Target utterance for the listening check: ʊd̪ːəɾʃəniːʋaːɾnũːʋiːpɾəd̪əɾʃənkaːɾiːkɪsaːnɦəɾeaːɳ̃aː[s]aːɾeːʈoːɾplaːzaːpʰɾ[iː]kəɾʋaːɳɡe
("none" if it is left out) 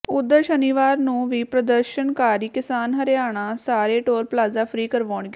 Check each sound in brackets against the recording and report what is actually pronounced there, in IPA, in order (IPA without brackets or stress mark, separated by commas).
s, iː